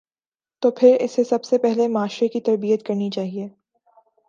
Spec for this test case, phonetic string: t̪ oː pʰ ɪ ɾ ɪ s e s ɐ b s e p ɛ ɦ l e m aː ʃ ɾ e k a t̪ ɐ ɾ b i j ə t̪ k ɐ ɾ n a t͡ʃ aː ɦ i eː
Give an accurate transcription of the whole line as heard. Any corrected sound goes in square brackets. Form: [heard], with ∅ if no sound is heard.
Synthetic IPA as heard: t̪ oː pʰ ɪ ɾ ɪ s e s ɐ b s e p ɛ ɦ l e m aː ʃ ɾ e k [i] t̪ ɐ ɾ b i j ə t̪ k ɐ ɾ n [i] t͡ʃ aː ɦ i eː

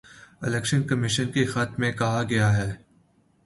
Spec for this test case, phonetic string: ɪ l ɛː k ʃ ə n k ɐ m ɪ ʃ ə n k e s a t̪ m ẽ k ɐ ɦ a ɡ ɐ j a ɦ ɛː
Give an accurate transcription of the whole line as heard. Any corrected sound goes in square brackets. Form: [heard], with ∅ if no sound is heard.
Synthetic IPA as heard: ɪ l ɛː k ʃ ə n k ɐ m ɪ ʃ ə n k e [x] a t̪ m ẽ k ɐ ɦ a ɡ ɐ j a ɦ ɛː

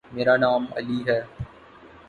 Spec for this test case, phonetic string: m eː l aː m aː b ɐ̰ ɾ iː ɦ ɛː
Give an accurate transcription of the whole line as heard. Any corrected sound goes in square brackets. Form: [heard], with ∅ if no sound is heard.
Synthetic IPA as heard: m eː [ɾ] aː [n] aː [m] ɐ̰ [l] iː ɦ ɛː

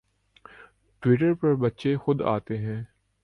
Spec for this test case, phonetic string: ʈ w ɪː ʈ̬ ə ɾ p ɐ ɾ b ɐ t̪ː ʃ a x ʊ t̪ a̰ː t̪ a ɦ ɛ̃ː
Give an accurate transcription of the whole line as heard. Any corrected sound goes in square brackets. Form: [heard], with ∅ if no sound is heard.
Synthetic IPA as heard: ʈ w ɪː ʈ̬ ə ɾ p ɐ ɾ b ɐ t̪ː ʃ [e] x ʊ [d̪] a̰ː t̪ [e] ɦ ɛ̃ː

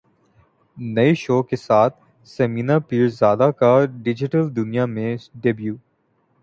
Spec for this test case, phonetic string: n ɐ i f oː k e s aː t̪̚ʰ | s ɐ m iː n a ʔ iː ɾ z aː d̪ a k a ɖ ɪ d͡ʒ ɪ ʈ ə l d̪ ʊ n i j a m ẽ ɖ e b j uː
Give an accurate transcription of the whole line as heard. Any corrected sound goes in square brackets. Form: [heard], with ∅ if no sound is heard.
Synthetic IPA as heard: n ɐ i [ʃ] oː k e s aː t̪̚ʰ | s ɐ m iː n a [p] iː ɾ z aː d̪ a k a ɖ ɪ d͡ʒ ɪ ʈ ə l d̪ ʊ n i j a m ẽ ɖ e b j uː

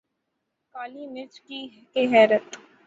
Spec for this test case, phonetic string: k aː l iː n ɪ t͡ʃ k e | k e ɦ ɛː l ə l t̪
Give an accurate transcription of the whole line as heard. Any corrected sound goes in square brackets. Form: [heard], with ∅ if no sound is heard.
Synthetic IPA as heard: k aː l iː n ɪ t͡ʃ k [i] | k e ɦ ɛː [ɾ] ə [∅] t̪

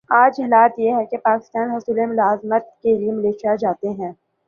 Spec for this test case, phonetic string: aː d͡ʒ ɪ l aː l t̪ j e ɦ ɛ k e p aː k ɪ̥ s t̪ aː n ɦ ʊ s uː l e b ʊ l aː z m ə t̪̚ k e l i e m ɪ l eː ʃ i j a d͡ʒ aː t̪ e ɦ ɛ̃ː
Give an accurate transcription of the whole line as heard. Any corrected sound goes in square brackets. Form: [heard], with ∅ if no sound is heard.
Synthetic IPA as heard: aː d͡ʒ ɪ l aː [∅] t̪ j e ɦ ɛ k e p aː k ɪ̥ s t̪ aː n ɦ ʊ s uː l e [m] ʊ l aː z m ə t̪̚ k e l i e m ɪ l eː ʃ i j a d͡ʒ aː t̪ e ɦ ɛ̃ː

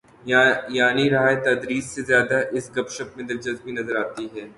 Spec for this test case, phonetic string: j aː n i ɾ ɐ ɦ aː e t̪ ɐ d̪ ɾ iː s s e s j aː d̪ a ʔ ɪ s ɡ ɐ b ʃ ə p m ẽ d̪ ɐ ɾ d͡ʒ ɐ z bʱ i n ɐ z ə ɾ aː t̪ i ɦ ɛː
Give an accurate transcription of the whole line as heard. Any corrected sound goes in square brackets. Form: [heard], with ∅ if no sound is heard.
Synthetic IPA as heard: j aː n i ɾ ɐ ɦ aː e t̪ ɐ d̪ ɾ iː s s e [z] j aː d̪ a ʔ ɪ s ɡ ɐ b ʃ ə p m ẽ d̪ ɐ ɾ d͡ʒ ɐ z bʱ i n ɐ z ə ɾ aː t̪ i ɦ ɛː

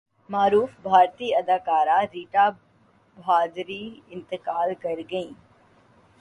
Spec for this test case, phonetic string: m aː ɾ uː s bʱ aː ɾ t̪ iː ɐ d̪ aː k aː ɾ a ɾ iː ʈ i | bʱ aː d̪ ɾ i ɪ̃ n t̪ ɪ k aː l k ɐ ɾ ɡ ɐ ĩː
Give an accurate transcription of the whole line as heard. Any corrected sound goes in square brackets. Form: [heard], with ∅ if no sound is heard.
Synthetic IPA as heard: m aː ɾ uː [f] bʱ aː ɾ t̪ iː ɐ d̪ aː k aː ɾ a ɾ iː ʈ [a] | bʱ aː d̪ ɾ i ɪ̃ n t̪ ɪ k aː l k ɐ ɾ ɡ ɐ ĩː

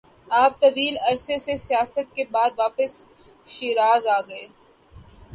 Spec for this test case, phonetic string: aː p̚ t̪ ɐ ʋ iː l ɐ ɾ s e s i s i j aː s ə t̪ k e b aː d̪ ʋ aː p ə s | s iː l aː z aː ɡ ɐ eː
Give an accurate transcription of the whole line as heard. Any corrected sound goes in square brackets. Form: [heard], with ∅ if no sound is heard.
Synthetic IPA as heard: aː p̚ t̪ ɐ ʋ iː l ɐ ɾ s e s [e] s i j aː s ə t̪ k e b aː d̪ ʋ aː p ə s | [ʃ] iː [ɾ] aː z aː ɡ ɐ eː

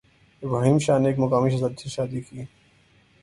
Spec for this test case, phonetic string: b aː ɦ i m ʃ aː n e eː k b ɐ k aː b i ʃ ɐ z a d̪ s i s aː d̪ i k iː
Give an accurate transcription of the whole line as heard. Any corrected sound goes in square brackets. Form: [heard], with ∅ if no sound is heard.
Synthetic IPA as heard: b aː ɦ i m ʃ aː n e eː k [m] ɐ k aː [m] i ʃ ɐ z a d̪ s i [ʃ] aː d̪ i k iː

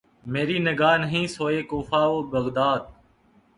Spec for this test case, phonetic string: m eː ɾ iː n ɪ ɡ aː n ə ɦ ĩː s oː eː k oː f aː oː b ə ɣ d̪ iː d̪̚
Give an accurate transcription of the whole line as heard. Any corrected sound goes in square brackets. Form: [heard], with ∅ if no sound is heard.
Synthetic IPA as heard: m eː ɾ iː n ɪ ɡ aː n ə ɦ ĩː s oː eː k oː f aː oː b ə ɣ d̪ [aː] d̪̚

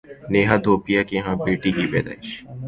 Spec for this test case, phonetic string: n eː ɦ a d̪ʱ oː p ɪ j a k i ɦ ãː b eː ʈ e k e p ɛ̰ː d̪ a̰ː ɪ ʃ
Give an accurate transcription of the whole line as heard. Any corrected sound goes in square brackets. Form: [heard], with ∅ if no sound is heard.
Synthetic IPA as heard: n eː ɦ a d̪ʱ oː p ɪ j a k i ɦ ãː b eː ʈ [i] k [i] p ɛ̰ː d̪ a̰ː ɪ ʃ

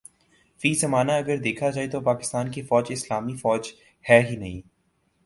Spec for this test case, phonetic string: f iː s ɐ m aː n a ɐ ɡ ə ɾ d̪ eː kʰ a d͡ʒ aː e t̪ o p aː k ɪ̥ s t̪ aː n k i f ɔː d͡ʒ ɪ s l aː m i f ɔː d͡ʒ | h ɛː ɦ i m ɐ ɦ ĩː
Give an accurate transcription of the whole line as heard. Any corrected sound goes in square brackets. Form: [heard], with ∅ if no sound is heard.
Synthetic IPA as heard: f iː [z] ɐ m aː n a ɐ ɡ ə ɾ d̪ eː kʰ a d͡ʒ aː e t̪ o p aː k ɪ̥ s t̪ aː n k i f ɔː d͡ʒ ɪ s l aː m i f ɔː d͡ʒ | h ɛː ɦ i [n] ɐ ɦ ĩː

